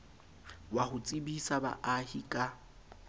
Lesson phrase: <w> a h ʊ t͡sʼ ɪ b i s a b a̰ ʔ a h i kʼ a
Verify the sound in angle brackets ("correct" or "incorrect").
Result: correct